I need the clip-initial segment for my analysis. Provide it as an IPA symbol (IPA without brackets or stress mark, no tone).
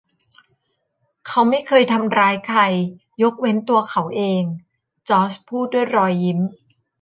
kʰ